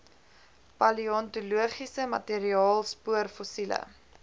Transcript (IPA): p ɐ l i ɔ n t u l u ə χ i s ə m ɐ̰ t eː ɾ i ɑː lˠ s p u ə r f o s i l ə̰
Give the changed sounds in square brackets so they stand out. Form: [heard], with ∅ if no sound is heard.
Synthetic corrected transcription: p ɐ l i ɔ n t u l u ə χ i s ə m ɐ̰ t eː ɾ i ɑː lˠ s p u ə r f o s i l ə̰